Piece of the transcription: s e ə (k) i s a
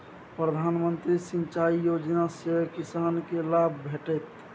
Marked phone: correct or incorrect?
correct